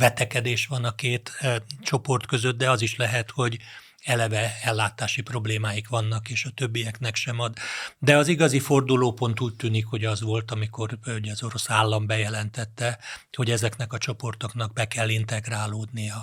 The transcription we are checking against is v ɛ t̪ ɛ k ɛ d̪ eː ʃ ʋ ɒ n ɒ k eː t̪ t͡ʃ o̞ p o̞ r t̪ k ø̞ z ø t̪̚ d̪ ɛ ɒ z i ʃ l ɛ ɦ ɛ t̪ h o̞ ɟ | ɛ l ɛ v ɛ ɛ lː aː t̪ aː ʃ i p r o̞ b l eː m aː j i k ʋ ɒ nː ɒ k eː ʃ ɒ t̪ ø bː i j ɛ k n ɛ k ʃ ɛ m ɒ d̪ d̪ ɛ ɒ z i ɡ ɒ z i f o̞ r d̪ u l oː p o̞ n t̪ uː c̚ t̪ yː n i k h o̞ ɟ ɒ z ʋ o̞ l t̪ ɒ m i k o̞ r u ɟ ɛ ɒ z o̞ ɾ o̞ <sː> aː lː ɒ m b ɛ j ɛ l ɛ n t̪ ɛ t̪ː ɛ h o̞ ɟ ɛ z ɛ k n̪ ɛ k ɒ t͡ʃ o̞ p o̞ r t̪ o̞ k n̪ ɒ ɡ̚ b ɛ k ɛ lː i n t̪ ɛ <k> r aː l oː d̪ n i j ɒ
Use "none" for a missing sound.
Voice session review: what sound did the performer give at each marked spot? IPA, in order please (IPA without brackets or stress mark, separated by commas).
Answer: s, ɡ